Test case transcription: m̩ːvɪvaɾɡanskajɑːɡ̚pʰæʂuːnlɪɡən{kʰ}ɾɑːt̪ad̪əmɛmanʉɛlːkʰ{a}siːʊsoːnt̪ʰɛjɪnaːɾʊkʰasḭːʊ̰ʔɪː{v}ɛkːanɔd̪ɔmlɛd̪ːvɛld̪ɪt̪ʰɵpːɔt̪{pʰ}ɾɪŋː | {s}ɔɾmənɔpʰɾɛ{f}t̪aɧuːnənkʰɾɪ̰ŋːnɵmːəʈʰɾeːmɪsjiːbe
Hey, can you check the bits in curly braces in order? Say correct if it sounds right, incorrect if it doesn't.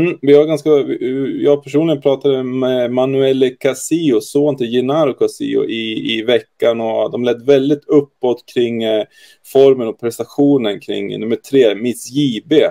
incorrect: pʰ, correct, correct, incorrect: kʰ, incorrect: f, incorrect: s

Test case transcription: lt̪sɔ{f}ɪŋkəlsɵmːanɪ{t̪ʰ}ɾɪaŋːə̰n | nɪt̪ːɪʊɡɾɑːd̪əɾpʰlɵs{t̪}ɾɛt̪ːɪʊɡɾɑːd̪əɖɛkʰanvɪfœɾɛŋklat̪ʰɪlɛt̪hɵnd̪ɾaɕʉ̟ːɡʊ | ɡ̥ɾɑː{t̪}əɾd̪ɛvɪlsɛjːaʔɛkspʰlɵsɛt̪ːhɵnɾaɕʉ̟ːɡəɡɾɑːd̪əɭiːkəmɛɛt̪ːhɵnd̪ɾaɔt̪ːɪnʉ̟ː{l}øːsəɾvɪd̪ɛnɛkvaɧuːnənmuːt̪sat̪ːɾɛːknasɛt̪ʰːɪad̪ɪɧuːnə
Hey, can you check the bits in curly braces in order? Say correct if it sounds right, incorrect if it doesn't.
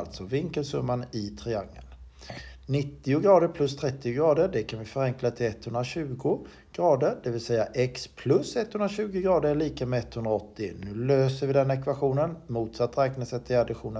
incorrect: v, correct, incorrect: t̪ʰ, incorrect: d̪, correct

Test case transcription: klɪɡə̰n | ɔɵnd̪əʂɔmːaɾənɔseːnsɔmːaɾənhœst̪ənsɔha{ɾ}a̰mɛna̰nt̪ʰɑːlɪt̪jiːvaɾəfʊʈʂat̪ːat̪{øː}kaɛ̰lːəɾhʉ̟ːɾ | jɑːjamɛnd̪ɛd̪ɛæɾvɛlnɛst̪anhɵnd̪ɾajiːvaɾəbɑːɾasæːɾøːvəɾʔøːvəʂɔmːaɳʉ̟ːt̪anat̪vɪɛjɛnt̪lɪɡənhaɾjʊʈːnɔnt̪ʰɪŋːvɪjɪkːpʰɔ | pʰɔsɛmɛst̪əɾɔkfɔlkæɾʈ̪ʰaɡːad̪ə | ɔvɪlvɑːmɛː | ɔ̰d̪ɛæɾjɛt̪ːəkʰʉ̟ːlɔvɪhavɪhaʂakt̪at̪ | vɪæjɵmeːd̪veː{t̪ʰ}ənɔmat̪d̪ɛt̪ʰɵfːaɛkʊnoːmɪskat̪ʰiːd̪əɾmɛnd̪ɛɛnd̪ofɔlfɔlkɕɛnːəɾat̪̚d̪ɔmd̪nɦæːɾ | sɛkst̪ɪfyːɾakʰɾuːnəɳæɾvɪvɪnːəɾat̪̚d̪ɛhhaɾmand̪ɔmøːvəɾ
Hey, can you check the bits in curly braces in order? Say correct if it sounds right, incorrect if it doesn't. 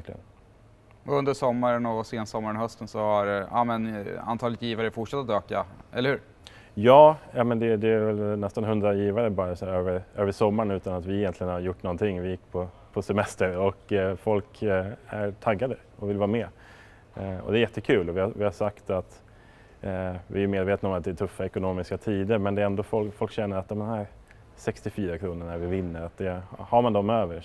correct, correct, incorrect: t̪

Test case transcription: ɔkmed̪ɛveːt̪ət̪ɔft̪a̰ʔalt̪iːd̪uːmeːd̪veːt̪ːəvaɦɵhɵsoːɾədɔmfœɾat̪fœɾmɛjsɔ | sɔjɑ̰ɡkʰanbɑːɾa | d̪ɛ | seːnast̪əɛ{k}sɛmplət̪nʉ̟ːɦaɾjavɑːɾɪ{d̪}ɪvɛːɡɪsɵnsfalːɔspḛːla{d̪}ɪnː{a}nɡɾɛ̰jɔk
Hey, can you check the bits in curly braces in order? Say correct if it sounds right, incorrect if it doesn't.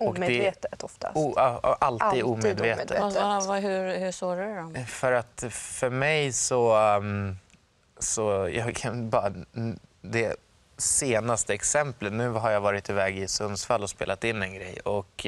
correct, incorrect: t̪, incorrect: t̪, incorrect: ɛ

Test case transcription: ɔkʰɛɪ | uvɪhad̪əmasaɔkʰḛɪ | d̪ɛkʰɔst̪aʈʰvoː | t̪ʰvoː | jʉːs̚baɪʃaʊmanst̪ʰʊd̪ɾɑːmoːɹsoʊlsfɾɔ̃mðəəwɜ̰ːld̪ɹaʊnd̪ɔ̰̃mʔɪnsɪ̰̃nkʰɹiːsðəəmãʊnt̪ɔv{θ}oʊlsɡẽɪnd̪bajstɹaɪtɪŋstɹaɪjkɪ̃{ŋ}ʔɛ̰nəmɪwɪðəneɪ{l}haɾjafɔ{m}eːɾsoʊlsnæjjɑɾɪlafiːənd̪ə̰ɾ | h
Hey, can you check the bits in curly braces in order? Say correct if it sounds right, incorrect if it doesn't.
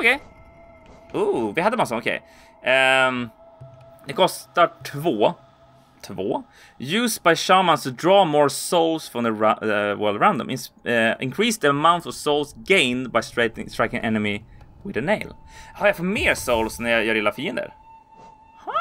incorrect: s, correct, correct, correct

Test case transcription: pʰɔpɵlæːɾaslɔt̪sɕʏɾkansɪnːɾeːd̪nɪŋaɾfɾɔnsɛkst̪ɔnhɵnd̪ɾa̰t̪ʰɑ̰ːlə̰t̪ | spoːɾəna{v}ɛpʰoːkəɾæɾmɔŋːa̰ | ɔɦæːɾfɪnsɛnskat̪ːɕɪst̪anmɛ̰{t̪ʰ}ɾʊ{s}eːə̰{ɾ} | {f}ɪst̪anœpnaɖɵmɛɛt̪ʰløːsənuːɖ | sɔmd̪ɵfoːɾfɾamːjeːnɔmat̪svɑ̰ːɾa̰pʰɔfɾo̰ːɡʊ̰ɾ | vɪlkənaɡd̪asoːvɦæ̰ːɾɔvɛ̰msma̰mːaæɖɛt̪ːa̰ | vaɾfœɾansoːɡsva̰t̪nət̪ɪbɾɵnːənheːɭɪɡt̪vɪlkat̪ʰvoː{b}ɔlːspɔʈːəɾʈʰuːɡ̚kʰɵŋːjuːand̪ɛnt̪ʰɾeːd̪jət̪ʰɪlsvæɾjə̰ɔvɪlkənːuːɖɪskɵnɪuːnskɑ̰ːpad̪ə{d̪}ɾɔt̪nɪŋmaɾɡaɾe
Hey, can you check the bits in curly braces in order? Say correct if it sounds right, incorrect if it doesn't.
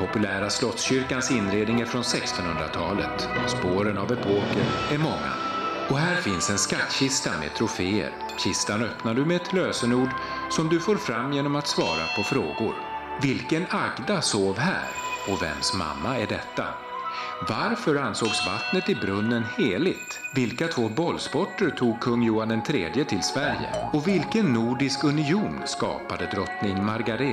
correct, correct, incorrect: f, correct, incorrect: ɕ, correct, correct

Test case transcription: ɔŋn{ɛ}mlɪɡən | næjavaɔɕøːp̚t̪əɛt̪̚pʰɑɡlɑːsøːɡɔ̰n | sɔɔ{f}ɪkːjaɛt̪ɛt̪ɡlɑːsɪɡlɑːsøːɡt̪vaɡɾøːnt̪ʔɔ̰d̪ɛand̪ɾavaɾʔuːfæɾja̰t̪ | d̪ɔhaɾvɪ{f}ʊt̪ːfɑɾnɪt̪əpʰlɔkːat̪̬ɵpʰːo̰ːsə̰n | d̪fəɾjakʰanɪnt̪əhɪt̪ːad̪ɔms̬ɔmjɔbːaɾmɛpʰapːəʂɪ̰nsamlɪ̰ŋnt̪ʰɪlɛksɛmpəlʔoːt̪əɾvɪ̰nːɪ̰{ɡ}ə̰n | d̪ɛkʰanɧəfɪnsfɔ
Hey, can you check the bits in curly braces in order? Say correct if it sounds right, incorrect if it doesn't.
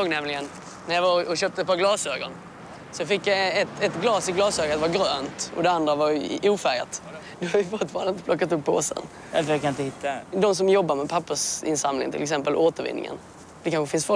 correct, correct, correct, incorrect: ŋ

